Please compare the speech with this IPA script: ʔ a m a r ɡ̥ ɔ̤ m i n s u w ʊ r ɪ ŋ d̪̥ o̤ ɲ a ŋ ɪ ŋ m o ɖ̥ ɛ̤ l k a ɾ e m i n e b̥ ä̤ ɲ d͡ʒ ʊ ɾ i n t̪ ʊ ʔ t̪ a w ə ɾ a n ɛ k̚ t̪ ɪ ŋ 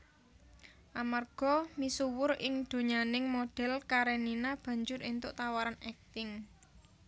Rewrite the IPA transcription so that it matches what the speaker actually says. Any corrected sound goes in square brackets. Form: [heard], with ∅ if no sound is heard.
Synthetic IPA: ʔ a m a r ɡ̥ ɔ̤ m i [∅] s u w ʊ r ɪ ŋ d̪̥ o̤ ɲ a [n] ɪ ŋ m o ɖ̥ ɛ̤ l k a ɾ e [n] i n [a] b̥ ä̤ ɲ d͡ʒ ʊ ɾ i n t̪ ʊ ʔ t̪ a w [a] ɾ a n ɛ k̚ t̪ ɪ ŋ